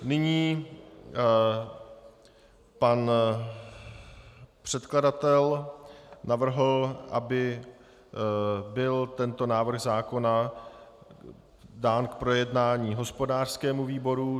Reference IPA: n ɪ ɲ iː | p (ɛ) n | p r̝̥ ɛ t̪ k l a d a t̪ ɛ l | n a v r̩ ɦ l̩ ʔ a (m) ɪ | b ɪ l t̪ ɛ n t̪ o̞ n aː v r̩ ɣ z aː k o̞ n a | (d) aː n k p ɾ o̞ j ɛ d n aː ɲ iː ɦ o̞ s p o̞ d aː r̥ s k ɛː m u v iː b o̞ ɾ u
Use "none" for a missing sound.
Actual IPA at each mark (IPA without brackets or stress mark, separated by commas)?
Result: a, b, d